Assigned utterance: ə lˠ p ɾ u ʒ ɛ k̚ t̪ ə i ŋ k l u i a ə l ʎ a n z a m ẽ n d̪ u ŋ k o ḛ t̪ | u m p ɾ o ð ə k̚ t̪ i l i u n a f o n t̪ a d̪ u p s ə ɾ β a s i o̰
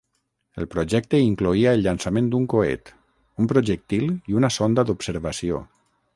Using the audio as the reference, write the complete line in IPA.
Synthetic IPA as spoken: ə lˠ p ɾ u ʒ ɛ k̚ t̪ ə i ŋ k l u i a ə l ʎ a n s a m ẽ n d̪ u ŋ k o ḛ t̪ | u m p ɾ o ʒ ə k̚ t̪ i l i u n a s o n d̪ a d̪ u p s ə ɾ β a s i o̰